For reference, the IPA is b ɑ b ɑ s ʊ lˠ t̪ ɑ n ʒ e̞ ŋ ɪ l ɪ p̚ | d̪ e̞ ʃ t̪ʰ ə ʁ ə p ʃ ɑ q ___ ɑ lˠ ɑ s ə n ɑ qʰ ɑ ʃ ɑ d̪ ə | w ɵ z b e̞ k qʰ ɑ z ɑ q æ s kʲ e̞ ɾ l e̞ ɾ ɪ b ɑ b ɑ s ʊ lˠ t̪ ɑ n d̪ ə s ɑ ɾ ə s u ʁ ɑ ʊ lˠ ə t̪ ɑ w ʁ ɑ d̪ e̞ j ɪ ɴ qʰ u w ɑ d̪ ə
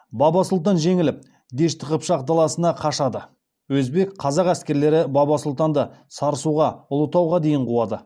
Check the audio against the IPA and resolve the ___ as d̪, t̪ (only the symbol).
d̪